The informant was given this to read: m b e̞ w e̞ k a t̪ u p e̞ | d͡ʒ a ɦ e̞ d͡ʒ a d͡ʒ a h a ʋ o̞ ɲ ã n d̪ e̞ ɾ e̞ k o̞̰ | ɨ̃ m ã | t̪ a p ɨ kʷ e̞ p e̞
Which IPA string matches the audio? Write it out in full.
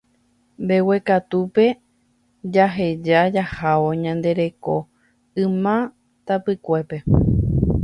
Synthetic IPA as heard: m b e̞ w e̞ k a t̪ u p e̞ | d͡ʒ a ɦ e̞ d͡ʒ a d͡ʒ a h a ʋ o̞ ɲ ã n d̪ e̞ ɾ e̞ k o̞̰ | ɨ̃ m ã | t̪ a p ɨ kʷ e̞ p e̞